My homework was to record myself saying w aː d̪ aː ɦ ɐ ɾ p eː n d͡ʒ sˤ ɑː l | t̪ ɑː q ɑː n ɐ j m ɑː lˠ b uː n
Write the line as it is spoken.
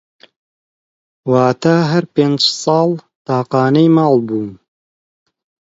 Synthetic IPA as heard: w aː t̪ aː ɦ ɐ ɾ p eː n d͡ʒ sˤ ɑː l | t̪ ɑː q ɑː n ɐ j m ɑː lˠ b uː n